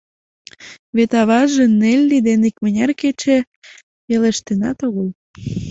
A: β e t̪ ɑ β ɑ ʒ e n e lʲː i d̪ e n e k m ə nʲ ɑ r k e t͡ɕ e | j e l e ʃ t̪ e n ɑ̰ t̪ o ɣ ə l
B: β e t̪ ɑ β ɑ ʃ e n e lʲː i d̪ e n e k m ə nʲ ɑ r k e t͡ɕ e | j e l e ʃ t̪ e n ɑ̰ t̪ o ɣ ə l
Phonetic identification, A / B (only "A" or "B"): A